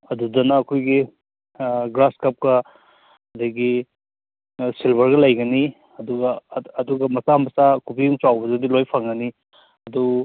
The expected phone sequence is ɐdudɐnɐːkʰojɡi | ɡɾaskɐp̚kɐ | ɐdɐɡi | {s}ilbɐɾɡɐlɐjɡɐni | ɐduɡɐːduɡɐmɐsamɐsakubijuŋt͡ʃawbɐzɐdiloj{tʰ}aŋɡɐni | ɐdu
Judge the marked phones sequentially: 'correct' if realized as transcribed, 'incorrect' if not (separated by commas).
correct, incorrect